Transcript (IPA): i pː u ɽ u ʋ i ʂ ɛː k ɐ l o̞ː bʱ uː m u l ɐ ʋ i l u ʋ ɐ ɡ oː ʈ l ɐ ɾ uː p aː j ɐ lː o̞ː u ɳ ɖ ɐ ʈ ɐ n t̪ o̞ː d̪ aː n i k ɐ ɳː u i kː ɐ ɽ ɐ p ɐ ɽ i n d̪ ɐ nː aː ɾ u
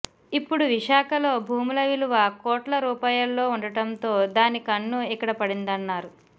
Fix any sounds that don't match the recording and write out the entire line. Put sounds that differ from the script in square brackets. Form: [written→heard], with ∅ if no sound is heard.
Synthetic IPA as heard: i pː u ɽ u ʋ i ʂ [ɛː→aː] k ɐ l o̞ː bʱ uː m u l ɐ ʋ i l u ʋ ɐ [ɡ→k] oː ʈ l ɐ ɾ uː p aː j ɐ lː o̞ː u ɳ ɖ ɐ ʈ ɐ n t̪ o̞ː d̪ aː n i k ɐ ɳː u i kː ɐ ɽ ɐ p ɐ ɽ i n d̪ ɐ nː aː ɾ u